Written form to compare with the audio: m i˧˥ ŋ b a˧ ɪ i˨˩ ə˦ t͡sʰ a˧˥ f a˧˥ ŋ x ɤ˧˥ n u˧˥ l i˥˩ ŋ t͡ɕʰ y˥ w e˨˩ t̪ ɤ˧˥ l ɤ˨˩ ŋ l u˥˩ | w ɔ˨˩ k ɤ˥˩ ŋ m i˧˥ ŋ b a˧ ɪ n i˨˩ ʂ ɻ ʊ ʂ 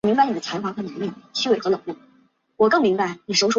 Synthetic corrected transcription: m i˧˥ ŋ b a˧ ɪ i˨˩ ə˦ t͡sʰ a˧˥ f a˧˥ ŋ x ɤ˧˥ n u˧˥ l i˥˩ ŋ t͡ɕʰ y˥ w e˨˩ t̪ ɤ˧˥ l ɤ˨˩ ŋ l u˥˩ | w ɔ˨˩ k ɤ˥˩ ŋ m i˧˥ ŋ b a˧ ɪ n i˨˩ ʂ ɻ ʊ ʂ